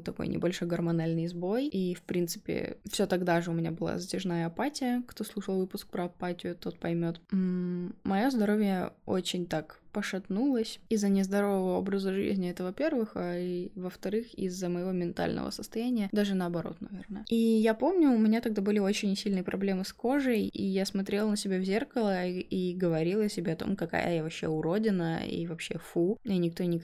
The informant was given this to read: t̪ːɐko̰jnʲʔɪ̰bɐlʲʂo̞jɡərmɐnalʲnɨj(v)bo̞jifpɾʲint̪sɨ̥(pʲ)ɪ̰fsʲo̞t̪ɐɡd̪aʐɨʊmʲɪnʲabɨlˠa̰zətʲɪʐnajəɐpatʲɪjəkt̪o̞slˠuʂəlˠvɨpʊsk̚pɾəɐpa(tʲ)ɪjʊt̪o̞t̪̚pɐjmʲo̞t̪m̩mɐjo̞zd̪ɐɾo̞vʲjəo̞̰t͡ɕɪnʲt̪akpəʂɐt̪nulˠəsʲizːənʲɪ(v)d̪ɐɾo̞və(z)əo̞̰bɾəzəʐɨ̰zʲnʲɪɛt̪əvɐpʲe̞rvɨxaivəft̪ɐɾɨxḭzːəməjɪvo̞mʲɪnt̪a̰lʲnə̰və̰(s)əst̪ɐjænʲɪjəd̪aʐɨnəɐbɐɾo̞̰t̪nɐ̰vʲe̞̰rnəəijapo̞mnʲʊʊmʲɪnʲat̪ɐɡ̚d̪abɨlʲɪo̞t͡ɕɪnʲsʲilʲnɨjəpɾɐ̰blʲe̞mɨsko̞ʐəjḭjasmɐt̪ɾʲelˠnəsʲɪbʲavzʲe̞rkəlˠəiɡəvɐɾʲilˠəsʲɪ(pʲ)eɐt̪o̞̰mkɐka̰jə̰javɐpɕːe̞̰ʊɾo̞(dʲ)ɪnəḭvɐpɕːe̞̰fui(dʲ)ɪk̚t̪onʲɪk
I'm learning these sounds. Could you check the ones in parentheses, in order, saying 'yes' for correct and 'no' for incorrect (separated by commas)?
no, yes, yes, no, no, yes, no, yes, no